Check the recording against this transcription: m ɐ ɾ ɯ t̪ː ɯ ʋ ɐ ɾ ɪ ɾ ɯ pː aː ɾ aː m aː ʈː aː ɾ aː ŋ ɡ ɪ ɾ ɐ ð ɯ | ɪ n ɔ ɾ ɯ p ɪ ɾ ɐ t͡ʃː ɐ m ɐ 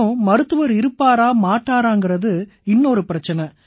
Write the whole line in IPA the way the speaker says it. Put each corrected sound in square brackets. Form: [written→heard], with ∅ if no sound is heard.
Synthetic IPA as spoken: m ɐ ɾ ɯ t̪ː ɯ ʋ ɐ ɾ ɪ ɾ ɯ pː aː ɾ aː m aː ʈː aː ɾ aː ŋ ɡ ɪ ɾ ɐ ð ɯ | ɪ [n→nː] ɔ ɾ ɯ p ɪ ɾ ɐ t͡ʃː ɐ [m→n] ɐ